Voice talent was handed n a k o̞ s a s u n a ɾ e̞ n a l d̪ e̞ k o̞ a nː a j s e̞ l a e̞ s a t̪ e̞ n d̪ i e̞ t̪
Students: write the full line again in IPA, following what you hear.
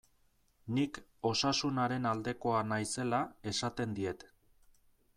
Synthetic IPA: n i k o̞ s a s u n a ɾ e̞ n a l d̪ e̞ k o̞ a n a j s e̞ l a e̞ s a t̪ e̞ n d̪ i e̞ t̪